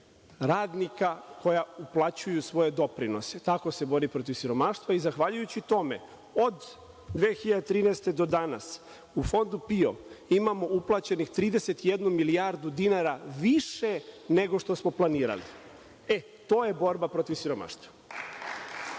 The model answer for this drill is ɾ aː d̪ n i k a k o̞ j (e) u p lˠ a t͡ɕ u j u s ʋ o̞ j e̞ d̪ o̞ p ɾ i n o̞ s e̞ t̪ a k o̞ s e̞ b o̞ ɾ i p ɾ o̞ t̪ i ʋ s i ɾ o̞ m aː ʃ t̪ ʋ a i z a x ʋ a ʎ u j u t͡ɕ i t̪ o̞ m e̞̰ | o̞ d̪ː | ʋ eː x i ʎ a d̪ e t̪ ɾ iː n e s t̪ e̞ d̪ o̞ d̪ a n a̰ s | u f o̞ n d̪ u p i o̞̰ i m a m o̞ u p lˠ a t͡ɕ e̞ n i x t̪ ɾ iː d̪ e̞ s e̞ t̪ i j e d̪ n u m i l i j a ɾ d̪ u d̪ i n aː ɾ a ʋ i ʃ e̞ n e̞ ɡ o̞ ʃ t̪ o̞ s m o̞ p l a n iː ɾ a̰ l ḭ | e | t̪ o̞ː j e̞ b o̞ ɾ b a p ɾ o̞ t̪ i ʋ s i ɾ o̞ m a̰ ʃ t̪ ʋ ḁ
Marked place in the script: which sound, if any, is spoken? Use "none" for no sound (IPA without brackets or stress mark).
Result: a